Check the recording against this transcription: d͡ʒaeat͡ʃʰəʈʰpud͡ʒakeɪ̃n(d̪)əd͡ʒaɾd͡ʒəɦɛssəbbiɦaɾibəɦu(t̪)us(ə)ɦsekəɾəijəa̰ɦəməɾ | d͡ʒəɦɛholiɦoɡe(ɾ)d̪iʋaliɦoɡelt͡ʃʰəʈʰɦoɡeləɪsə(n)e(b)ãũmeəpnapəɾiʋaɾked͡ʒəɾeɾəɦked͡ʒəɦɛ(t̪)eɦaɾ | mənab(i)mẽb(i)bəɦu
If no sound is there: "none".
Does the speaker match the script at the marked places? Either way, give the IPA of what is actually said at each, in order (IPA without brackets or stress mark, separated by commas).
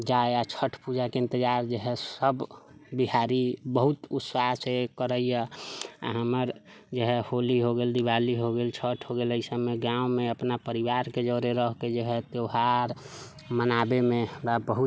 t̪, t̪, a, l, m, ɡ, t̪, e, a